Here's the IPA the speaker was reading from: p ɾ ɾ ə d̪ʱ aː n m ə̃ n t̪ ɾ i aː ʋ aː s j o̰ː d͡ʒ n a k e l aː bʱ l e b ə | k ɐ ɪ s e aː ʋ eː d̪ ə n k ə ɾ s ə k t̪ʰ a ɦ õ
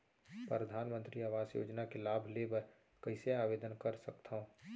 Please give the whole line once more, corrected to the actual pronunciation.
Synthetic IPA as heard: p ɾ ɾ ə d̪ʱ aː n m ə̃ n t̪ ɾ i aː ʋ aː s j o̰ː d͡ʒ n a k e l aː bʱ l e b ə | k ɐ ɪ s e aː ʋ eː d̪ ə n k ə ɾ s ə k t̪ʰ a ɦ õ